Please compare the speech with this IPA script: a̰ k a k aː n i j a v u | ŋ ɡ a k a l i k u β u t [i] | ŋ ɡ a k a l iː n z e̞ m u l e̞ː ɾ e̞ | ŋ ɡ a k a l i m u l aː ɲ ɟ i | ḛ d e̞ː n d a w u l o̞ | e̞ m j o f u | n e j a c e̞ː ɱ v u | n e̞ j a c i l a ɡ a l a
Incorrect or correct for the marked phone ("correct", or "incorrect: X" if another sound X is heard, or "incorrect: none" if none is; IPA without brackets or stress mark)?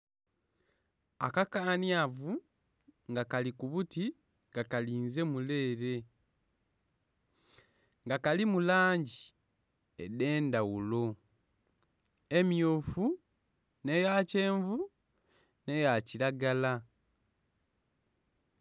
correct